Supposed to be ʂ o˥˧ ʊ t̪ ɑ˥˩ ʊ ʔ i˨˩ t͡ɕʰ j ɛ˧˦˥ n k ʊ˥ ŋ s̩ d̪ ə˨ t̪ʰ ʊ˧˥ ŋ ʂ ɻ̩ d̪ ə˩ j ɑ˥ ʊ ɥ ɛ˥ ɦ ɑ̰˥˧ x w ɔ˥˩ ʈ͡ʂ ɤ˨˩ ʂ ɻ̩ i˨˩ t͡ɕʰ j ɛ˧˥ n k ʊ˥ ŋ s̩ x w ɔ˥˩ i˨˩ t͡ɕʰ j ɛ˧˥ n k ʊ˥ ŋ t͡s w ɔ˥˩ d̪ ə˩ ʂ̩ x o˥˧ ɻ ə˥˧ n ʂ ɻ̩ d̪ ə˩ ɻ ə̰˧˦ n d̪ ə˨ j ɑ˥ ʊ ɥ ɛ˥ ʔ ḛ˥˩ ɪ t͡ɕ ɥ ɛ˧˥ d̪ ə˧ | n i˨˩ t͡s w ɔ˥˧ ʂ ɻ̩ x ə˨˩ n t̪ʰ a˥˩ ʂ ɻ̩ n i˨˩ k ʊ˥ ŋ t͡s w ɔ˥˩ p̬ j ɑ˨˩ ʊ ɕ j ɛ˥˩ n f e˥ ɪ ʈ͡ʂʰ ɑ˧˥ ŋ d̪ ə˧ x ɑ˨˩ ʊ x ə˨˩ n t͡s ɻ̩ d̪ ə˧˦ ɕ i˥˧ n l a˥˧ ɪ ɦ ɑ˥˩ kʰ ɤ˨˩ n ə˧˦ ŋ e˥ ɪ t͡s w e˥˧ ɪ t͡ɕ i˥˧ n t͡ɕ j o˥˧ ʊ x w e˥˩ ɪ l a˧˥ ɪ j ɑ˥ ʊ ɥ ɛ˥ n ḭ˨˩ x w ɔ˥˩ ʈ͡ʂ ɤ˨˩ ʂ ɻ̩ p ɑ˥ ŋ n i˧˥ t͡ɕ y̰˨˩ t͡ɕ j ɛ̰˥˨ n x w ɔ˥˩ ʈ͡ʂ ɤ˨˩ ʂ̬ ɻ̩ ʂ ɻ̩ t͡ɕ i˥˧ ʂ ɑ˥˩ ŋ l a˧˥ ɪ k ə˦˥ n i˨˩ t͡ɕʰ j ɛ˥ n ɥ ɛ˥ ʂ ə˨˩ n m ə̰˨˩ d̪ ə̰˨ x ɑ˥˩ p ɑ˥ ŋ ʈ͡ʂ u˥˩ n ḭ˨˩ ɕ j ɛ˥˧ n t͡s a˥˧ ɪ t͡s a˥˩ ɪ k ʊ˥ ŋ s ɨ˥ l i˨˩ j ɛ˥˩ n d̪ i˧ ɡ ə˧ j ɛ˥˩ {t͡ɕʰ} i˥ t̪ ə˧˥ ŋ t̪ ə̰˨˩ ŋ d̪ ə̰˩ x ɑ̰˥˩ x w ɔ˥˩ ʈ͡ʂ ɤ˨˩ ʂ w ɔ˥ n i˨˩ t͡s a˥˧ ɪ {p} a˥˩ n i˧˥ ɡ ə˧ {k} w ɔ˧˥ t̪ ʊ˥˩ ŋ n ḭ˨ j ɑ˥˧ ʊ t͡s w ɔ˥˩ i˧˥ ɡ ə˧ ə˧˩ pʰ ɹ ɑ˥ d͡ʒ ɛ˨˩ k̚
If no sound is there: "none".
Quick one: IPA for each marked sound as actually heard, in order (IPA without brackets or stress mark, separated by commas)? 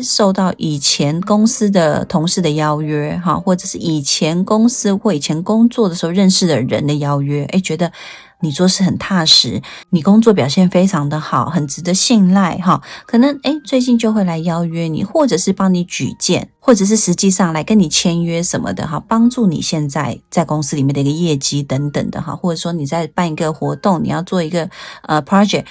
t͡ɕ, p, x